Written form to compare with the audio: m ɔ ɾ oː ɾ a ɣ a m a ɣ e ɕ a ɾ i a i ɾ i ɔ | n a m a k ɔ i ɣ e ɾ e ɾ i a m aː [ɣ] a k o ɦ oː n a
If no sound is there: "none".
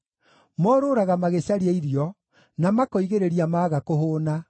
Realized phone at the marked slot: ɣ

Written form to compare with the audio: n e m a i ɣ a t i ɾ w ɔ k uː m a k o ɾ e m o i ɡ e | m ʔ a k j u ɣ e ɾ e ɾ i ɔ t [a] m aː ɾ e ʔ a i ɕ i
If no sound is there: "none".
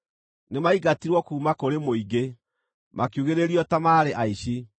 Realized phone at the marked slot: a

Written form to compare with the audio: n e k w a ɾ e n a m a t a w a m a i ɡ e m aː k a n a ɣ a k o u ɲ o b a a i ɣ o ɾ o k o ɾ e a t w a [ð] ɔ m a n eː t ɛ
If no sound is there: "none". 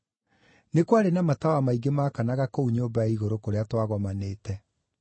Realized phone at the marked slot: ɣ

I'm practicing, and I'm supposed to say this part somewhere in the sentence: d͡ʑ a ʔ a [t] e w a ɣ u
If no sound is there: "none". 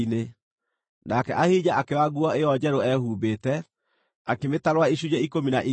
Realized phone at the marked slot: k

